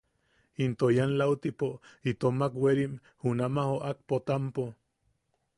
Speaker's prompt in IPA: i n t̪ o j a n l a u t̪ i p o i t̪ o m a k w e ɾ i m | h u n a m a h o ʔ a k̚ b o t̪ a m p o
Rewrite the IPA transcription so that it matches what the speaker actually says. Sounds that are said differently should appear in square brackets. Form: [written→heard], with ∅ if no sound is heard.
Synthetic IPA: i n t̪ o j a n l a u t̪ i p o i t̪ o m a k w e ɾ i m | h u n a m a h o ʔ a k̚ [b→p] o t̪ a m p o

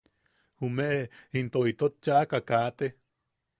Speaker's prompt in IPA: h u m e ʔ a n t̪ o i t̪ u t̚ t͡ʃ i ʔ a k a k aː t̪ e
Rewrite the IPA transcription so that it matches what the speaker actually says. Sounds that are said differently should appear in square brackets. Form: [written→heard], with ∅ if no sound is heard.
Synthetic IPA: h u m e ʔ [a→i] n t̪ o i t̪ [u→o] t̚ t͡ʃ [i→a] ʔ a k a k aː t̪ e

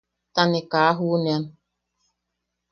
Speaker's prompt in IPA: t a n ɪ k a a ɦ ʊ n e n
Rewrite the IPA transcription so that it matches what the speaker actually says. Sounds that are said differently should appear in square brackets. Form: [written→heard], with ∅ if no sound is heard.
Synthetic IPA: t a n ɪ k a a ɦ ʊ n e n

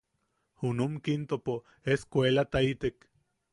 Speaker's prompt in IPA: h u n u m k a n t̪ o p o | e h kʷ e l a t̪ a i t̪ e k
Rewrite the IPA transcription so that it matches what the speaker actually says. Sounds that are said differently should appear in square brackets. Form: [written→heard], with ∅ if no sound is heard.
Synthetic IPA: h u n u m k [a→i] n t̪ o p o | e [h→s] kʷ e l a t̪ a i t̪ e k

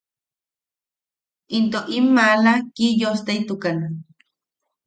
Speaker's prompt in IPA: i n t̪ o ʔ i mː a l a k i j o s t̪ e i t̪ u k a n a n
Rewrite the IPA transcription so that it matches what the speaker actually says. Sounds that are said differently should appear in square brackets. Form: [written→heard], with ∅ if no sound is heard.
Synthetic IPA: i n t̪ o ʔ i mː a l a k i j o s t̪ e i t̪ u k a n a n

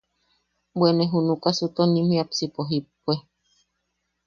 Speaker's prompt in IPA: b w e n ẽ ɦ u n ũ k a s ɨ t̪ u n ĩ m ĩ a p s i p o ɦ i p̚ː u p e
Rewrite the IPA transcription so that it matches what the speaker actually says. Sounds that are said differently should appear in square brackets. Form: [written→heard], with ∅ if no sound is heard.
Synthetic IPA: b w e n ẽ ɦ u n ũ k a s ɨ t̪ [u→o] n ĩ m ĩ a p s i p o ɦ i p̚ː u [p→∅] e

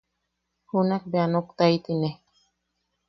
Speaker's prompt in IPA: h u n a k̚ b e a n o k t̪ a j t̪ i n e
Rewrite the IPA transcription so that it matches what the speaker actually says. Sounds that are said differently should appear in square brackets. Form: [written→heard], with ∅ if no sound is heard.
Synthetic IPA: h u n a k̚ b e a n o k t̪ a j t̪ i n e

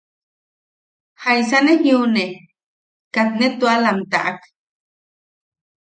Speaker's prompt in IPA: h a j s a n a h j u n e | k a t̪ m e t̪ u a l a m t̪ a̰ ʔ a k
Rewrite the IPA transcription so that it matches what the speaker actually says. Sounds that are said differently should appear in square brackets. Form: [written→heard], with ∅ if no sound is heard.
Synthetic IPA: h a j s a n [a→e] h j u n e | k a t̪ [m→n] e t̪ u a l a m t̪ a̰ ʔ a k

